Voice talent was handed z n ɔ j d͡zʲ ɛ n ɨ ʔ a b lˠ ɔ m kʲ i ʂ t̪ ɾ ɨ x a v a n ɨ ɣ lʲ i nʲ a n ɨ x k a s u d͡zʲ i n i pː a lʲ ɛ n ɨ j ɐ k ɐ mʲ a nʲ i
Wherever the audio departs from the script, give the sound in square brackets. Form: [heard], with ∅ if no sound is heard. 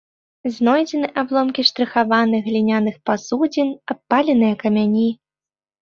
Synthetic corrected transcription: z n ɔ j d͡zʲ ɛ n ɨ ʔ a b lˠ ɔ m kʲ i ʂ t̪ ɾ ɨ x a v a n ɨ ɣ lʲ i nʲ a n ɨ x [p] a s u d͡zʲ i n [a] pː a lʲ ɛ n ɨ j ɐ k ɐ mʲ a nʲ i